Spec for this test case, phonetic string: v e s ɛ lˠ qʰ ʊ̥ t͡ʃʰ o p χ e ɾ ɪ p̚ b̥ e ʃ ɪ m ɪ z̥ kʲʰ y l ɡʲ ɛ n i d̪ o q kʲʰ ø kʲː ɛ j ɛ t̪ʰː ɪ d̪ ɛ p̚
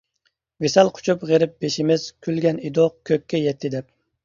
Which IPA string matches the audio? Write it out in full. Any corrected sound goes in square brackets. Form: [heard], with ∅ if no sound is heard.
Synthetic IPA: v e s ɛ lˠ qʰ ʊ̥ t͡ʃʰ [u] p [ʁ] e ɾ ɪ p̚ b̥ e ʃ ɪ m ɪ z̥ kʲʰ y l ɡʲ ɛ n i d̪ o q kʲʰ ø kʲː ɛ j ɛ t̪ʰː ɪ d̪ ɛ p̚

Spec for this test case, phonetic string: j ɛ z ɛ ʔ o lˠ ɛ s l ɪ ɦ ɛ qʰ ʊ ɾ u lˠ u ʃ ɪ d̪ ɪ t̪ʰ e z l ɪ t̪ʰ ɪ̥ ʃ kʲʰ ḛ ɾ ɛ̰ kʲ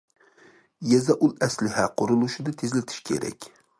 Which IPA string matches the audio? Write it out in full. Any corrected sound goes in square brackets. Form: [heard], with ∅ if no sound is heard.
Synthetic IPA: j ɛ z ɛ ʔ [u] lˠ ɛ s l ɪ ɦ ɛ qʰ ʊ ɾ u lˠ u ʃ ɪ d̪ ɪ t̪ʰ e z l ɪ t̪ʰ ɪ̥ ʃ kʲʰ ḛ ɾ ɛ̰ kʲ

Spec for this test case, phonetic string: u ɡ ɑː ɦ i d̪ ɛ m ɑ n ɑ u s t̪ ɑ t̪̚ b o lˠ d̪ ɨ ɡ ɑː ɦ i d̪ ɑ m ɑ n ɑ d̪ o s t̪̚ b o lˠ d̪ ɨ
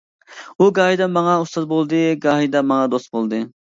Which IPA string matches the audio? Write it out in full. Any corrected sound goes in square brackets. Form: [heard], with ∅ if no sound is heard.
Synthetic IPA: u ɡ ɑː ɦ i d̪ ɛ m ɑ [ŋ] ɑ u s t̪ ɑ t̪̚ b o lˠ d̪ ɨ ɡ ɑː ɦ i d̪ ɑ m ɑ [ŋ] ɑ d̪ o s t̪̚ b o lˠ d̪ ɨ

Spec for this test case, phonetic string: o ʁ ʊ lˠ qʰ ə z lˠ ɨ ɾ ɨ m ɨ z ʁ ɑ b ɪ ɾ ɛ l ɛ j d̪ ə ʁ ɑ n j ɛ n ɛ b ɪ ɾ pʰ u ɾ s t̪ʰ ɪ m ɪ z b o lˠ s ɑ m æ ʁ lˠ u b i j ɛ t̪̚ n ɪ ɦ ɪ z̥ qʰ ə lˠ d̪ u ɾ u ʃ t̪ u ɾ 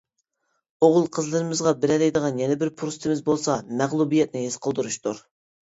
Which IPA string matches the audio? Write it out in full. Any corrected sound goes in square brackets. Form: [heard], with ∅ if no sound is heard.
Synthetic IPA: o ʁ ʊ lˠ qʰ ə z lˠ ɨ ɾ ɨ m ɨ z ʁ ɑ b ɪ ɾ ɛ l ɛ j d̪ ə ʁ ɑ n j ɛ n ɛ b ɪ ɾ pʰ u ɾ s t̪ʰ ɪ m ɪ z b o lˠ s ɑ m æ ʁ lˠ u b i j ɛ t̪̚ n ɪ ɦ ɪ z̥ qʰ ə lˠ d̪ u ɾ u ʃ t̪ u ɾ

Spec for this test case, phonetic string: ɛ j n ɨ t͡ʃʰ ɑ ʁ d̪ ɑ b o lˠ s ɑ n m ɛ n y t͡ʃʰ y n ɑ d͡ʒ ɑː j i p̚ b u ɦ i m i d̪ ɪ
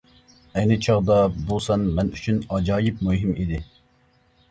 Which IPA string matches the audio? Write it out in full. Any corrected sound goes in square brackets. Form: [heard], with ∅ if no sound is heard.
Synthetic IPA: ɛ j n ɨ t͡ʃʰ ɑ ʁ d̪ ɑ b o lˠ s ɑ n m ɛ n y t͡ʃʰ y n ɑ d͡ʒ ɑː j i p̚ [m] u ɦ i m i d̪ ɪ

